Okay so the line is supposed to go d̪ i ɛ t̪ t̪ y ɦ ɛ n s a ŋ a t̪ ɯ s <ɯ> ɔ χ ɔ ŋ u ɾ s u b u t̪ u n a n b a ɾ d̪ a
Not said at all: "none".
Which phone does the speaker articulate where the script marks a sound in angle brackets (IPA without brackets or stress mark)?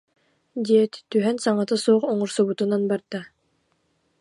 u